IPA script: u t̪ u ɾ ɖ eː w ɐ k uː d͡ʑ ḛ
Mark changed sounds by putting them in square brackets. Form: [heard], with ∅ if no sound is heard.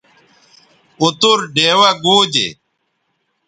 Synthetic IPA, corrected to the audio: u t̪ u ɾ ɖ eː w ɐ [ɡ] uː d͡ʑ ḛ